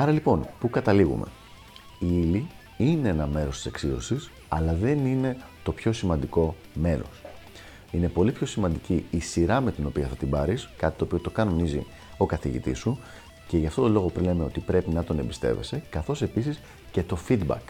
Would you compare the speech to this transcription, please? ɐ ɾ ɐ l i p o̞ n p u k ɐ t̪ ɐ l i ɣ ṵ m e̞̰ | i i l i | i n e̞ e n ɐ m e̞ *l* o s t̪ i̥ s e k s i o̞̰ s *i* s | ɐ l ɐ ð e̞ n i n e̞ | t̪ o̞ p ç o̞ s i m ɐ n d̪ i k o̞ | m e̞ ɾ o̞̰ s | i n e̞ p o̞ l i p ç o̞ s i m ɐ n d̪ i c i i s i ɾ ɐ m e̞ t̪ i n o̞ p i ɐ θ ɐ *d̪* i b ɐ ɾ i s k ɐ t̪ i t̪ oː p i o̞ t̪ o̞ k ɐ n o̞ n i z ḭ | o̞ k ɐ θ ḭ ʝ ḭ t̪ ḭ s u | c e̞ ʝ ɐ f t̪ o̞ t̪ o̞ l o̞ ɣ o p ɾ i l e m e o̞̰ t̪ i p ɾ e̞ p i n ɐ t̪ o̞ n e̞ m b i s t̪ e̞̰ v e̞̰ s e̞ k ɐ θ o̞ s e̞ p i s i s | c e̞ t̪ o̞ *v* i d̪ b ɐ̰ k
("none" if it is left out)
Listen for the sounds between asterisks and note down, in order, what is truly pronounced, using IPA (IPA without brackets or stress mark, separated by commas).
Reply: ɾ, i, t̪, f